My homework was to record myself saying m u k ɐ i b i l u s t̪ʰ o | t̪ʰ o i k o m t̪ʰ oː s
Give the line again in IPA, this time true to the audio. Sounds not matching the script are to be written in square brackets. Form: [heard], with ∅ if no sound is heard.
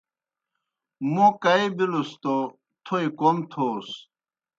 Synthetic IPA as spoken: m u k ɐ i b i l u s [t̪] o | t̪ʰ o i k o m t̪ʰ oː s